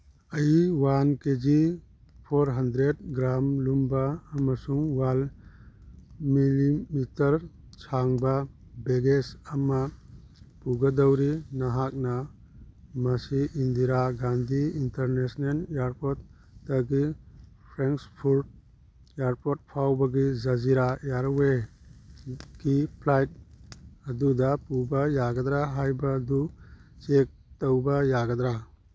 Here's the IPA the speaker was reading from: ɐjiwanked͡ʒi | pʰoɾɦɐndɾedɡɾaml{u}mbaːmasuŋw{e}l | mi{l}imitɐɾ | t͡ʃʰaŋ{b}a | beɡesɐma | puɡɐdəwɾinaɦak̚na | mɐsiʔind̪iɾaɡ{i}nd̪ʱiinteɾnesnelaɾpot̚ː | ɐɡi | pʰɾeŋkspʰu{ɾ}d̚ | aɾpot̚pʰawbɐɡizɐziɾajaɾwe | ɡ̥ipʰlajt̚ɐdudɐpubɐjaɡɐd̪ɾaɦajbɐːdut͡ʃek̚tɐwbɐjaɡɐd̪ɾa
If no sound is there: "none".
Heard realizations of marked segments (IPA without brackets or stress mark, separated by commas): u, a, l, b, a, ɾ